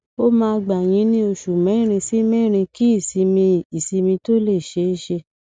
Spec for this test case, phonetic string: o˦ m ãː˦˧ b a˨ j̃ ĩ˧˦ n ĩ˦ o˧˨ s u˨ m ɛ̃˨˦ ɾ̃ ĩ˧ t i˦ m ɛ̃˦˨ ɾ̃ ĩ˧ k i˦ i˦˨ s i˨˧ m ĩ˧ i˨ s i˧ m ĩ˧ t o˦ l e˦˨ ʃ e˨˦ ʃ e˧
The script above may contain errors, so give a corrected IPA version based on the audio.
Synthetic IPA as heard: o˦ m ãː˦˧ ɡ͡b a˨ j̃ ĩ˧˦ n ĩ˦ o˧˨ ʃ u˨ m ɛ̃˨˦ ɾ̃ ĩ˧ s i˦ m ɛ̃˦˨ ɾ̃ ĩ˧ k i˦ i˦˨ s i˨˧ m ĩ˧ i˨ s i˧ m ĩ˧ t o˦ l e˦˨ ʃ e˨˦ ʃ e˧